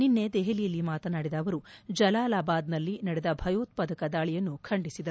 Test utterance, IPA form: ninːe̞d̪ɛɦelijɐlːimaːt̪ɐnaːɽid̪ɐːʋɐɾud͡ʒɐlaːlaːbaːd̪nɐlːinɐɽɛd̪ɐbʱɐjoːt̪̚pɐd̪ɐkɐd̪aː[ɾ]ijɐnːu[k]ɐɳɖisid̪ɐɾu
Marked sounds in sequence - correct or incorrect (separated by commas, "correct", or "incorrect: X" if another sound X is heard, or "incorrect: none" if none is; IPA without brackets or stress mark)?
incorrect: ɭ, incorrect: kʰ